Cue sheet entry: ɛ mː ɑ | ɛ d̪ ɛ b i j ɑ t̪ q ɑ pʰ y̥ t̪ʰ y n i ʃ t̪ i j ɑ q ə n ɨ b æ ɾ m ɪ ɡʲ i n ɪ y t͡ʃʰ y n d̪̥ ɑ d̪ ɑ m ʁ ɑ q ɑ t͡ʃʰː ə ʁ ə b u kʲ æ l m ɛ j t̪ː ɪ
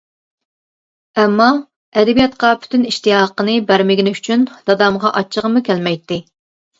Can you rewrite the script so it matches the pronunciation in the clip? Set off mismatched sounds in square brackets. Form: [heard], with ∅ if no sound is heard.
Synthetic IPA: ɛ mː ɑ | ɛ d̪ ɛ b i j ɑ t̪ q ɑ pʰ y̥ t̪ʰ y n i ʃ t̪ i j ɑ q ə n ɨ b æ ɾ m ɪ ɡʲ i n ɪ y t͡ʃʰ y n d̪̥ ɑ d̪ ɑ m ʁ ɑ [ʔ] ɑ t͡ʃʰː ə ʁ ə [m] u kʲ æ l m ɛ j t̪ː ɪ